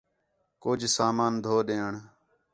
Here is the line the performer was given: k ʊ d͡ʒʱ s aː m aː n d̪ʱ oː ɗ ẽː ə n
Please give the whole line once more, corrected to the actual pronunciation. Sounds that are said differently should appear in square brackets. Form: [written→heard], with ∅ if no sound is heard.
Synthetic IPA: k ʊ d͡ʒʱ s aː m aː n d̪ʱ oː ɗ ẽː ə [n→ɳ]